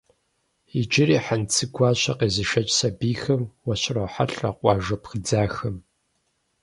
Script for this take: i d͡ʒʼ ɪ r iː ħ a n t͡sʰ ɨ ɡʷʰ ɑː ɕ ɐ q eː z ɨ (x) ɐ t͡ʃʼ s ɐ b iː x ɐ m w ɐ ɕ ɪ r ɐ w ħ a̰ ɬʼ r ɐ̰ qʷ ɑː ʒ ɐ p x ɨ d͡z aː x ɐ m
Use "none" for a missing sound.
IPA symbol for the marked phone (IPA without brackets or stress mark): ʃ